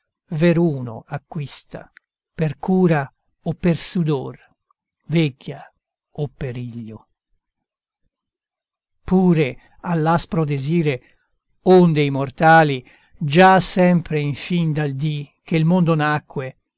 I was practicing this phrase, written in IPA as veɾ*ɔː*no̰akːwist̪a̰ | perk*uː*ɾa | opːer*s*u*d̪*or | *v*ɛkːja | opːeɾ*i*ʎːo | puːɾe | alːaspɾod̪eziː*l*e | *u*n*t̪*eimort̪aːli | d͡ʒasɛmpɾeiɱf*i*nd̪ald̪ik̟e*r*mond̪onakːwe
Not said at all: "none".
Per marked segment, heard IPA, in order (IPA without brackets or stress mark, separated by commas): uː, uː, s, d̪, v, i, ɾ, o, d̪, i, l